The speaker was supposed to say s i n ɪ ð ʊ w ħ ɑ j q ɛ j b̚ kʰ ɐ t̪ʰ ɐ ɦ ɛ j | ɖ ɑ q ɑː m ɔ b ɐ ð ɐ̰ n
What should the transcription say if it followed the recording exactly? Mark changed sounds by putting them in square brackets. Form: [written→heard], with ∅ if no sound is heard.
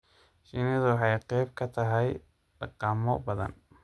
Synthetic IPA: [s→ʃ] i n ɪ ð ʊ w ħ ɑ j q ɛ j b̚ kʰ ɐ t̪ʰ ɐ ɦ ɛ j | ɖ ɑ q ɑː m ɔ b ɐ ð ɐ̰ n